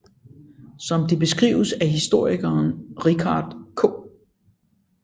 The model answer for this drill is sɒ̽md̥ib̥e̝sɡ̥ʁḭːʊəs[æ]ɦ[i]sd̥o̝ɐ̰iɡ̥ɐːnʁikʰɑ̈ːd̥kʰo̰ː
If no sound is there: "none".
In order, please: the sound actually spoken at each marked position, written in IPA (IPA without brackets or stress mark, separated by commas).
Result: æ, i